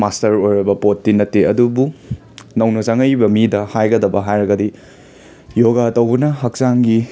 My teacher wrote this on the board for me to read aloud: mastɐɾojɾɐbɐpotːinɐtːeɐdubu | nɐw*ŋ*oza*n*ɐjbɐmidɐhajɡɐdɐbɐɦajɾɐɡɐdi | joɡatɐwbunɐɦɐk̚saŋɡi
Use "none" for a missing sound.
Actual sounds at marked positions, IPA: n, ŋ

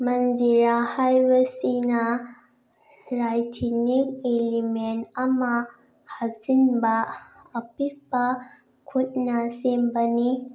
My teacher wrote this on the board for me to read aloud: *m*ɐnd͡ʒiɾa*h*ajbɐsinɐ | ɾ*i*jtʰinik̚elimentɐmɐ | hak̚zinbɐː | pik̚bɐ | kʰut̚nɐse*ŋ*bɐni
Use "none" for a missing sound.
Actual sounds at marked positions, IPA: m, h, a, m

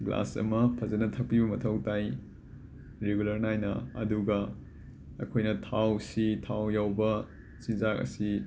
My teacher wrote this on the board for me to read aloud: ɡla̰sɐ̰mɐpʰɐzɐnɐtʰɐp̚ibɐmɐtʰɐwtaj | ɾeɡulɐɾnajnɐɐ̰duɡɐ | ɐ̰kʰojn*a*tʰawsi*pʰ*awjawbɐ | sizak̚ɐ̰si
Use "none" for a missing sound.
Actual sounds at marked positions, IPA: ɐ, tʰ

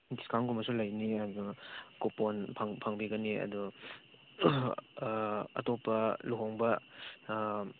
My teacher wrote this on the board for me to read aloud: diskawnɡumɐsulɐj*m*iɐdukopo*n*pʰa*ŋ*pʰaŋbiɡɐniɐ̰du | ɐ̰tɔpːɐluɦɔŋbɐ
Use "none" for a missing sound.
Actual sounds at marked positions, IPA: n, n, ŋ

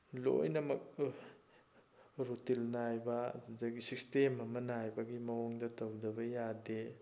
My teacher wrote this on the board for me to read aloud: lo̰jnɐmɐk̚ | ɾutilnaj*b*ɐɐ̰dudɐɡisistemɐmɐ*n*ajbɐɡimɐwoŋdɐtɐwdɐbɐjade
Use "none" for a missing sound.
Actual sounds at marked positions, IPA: b, n

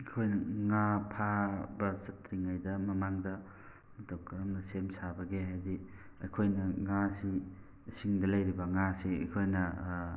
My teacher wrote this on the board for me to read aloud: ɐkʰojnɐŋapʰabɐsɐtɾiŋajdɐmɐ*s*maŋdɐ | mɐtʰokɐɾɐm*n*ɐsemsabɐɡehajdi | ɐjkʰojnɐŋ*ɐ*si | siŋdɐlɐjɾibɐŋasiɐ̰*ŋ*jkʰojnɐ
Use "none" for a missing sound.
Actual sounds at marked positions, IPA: none, n, a, none

